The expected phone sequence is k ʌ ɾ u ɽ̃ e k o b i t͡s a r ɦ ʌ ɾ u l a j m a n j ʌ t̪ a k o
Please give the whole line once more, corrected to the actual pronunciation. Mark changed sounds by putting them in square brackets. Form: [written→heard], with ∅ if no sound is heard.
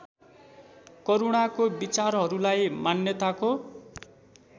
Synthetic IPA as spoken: k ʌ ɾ u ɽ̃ [e→a] k o b i t͡s a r ɦ ʌ ɾ u l a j m a n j ʌ t̪ a k o